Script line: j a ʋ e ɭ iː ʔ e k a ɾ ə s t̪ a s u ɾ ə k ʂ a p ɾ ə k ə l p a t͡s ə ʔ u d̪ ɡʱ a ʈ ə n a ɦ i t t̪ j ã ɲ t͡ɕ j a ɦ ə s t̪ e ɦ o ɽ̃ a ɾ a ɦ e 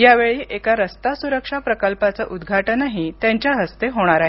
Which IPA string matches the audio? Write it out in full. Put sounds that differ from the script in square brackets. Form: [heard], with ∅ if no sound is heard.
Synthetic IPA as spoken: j a ʋ e ɭ iː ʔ e k a ɾ ə s t̪ a s u ɾ ə k ʂ a p ɾ ə k ə l p a t͡s ə ʔ u d̪ ɡʱ a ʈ ə n a ɦ i t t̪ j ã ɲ t͡ɕ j a ɦ ə s t̪ e ɦ o ɽ̃ a ɾ a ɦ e

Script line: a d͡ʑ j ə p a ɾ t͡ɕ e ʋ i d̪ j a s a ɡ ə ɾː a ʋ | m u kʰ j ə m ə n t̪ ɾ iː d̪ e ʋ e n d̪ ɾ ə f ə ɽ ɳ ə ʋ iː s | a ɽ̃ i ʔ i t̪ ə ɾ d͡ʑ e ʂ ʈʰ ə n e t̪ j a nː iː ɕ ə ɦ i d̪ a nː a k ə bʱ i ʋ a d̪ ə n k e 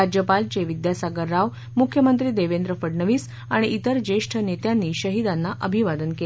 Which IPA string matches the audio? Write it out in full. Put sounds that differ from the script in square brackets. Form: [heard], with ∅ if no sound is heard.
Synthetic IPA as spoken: a d͡ʑ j ə p a [l] t͡ɕ e ʋ i d̪ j a s a ɡ ə ɾː a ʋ | m u kʰ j ə m ə n t̪ ɾ iː d̪ e ʋ e n d̪ ɾ ə f ə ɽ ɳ ə ʋ iː s | a ɽ̃ i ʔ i t̪ ə ɾ d͡ʑ e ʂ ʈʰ ə n e t̪ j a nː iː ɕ ə ɦ i d̪ a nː a [ʔ] ə bʱ i ʋ a d̪ ə n k e

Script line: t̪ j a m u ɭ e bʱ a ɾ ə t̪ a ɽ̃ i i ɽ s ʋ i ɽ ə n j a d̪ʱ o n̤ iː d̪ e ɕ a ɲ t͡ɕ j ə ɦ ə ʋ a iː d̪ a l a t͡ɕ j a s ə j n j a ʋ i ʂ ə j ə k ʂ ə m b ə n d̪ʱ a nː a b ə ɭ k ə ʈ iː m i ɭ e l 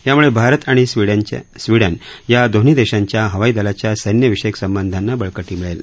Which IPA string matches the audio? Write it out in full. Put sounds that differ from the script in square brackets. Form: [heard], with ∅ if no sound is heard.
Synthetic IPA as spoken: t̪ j a m u ɭ e bʱ a ɾ ə t̪ a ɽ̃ i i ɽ s ʋ i ɽ ə n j a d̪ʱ o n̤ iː d̪ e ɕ a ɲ t͡ɕ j [a] ɦ ə ʋ a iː d̪ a l a t͡ɕ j a s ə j n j [ə] ʋ i ʂ ə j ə k [s] ə m b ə n d̪ʱ a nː a b ə ɭ k ə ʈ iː m i ɭ e l

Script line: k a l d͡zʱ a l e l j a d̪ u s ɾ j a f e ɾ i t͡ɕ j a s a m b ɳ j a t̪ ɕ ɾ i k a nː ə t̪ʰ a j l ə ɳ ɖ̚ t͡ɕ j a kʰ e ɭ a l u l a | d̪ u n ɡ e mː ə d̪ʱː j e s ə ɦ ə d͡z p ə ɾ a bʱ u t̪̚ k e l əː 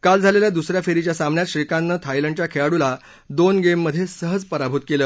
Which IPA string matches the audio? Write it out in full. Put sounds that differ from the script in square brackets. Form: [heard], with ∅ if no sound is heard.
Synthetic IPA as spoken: k a l d͡zʱ a l e l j a d̪ u s ɾ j a f e ɾ i t͡ɕ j a s a m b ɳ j a t̪ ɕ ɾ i k a nː ə t̪ʰ a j l ə ɳ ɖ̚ t͡ɕ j a kʰ e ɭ a [ɽ] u l a | d̪ [o] n ɡ e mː ə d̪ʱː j e s ə ɦ ə d͡z p ə ɾ a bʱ u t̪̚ k e l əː

